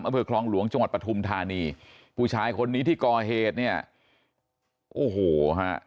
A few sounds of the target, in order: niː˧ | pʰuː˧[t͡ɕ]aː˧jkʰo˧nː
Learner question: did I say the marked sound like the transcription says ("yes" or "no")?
no